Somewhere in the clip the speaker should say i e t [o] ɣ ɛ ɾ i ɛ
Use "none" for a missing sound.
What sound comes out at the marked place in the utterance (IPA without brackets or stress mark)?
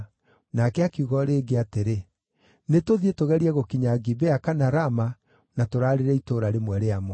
o